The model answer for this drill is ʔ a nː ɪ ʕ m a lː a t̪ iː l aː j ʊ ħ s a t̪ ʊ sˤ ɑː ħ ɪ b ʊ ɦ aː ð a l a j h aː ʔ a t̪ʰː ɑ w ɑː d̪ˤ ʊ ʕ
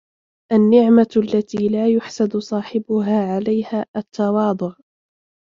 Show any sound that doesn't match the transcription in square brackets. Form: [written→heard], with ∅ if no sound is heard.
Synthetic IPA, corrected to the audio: ʔ a nː ɪ ʕ m a lː a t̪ iː l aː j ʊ ħ s a [t̪→d̪] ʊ sˤ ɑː ħ ɪ b ʊ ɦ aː [ð→ʕ] a l a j h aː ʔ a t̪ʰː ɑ w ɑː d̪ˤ ʊ ʕ